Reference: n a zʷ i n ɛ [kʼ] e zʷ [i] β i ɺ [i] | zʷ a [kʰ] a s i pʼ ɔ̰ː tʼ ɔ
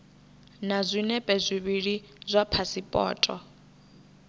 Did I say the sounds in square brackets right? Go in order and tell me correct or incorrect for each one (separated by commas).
incorrect, correct, correct, incorrect